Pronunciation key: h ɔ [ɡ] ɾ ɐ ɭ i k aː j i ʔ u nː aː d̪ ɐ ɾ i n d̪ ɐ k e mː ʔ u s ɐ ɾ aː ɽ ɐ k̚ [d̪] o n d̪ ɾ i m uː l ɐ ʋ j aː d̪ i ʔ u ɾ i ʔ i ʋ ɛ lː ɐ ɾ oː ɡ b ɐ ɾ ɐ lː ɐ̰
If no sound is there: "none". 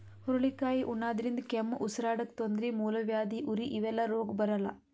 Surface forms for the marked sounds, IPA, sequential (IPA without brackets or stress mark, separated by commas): none, t̪